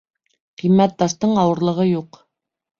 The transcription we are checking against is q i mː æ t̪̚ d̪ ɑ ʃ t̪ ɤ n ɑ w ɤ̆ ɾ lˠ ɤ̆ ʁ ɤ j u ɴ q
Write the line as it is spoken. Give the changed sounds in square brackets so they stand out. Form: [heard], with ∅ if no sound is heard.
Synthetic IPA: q i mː æ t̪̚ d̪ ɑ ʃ t̪ ɤ [ɴ] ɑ w ɤ̆ ɾ lˠ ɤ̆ ʁ ɤ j u [∅] q